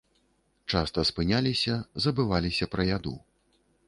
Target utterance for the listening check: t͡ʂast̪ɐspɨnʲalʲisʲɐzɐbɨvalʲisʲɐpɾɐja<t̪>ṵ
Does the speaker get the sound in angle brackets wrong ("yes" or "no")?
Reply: yes